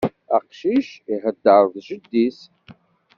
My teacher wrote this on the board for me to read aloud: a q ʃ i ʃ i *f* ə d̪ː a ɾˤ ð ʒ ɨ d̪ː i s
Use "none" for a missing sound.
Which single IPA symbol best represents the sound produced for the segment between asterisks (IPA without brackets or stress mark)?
ħ